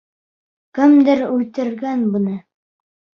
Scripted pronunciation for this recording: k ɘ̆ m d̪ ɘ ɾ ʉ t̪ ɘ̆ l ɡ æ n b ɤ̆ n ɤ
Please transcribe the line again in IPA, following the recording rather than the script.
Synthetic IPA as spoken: k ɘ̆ m d̪ ɘ ɾ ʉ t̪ ɘ̆ ɾ ɡ æ n b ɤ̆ n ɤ